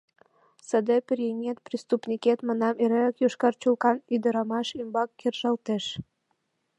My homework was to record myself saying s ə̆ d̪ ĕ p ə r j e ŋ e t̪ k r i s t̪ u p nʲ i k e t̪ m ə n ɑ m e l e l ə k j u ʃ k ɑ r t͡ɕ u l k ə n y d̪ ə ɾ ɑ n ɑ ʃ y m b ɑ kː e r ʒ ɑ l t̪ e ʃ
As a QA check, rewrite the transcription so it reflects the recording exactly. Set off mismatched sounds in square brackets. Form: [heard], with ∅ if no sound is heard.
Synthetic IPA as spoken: s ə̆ d̪ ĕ p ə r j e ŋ e t̪ [p] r i s t̪ u p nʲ i k e t̪ m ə n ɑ m e [ɾ] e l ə k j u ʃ k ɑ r t͡ɕ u l k [ɑ] n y d̪ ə ɾ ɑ [m] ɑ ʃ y m b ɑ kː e r ʒ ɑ l t̪ e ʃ